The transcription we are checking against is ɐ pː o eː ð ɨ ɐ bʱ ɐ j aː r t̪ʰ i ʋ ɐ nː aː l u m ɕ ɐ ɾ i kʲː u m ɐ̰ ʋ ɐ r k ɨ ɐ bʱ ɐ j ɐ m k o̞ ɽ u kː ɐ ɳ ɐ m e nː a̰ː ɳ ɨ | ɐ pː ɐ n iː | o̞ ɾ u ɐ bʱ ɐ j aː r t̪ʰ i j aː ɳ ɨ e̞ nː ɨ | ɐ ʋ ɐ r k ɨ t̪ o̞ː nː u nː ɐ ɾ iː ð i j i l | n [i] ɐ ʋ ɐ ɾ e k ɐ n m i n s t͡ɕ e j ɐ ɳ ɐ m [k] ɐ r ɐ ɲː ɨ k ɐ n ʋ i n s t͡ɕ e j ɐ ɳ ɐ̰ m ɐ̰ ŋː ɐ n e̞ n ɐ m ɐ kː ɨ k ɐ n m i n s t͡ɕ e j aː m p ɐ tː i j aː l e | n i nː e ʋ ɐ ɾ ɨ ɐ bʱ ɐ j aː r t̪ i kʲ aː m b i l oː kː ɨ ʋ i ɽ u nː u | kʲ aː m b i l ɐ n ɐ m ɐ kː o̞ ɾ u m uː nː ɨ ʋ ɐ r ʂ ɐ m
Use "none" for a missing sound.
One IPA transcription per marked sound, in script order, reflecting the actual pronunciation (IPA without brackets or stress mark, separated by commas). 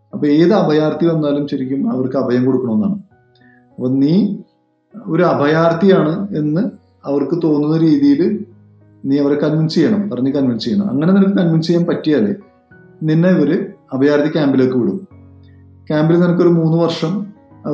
iː, p